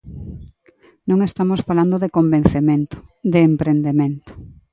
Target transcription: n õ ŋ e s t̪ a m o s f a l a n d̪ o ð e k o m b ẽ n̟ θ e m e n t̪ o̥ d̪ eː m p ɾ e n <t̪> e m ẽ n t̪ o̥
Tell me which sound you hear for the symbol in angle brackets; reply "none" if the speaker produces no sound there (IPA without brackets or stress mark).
d̪